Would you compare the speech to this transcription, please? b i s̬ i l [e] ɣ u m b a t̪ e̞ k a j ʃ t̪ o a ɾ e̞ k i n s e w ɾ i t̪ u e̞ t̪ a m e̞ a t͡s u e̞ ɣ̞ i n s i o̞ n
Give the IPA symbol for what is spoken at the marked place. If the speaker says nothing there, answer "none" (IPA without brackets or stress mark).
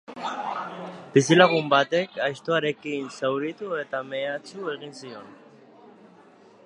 a